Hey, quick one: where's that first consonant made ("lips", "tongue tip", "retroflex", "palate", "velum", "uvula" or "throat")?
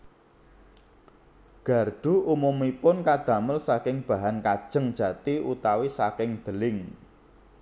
velum